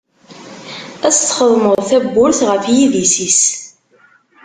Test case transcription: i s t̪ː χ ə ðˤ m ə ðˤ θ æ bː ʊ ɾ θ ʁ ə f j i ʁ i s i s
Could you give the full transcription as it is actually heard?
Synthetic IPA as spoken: æ s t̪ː χ ə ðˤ m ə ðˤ θ æ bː ʊ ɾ θ ʁ ə f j i ð i s i s